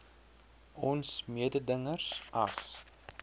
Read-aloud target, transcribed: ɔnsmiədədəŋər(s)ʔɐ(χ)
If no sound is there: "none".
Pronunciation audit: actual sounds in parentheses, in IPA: s, s

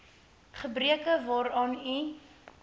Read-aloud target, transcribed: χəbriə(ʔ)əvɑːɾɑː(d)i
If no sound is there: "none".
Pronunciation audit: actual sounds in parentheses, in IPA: k, n

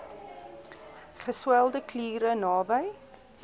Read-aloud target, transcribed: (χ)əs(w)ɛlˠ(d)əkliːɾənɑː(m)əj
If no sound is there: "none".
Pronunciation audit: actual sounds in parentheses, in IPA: χ, w, d, b

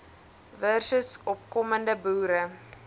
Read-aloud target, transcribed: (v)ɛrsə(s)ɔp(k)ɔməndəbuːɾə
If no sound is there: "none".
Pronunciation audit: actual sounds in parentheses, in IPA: v, s, k

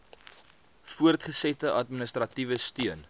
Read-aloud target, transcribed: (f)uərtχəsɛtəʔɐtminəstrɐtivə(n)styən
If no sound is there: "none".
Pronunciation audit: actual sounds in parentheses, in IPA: f, none

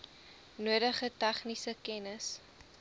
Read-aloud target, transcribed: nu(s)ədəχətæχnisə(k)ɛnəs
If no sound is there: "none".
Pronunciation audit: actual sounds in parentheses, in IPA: none, k

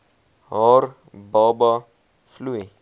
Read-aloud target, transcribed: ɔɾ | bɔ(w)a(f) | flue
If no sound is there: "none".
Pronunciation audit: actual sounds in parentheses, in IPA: b, none

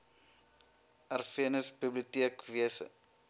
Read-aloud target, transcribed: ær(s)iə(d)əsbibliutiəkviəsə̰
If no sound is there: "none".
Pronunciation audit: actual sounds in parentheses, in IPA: f, n

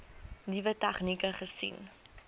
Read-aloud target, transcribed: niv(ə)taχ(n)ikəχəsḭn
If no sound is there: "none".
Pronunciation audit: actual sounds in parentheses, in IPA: ə, n

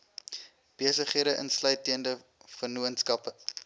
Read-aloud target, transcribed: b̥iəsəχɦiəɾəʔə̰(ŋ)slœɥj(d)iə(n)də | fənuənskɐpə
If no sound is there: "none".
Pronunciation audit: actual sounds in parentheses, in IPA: n, t, n

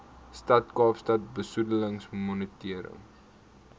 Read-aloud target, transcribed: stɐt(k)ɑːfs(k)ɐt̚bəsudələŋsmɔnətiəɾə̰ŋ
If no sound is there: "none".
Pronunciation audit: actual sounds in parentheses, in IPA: k, t

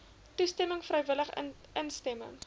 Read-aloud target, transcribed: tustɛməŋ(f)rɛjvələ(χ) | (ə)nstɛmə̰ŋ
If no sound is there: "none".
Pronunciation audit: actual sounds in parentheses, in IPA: f, χ, ə

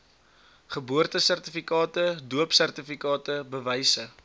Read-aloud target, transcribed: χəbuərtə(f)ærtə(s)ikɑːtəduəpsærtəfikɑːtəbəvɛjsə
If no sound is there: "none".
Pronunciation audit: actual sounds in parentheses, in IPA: s, f

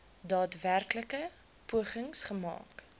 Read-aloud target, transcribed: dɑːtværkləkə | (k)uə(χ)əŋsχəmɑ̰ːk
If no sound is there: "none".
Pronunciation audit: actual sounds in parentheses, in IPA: p, χ

